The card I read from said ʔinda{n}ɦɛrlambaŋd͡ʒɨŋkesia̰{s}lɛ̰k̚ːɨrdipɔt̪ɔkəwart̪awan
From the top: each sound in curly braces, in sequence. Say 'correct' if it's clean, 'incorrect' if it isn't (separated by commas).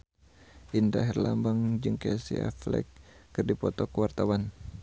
incorrect, incorrect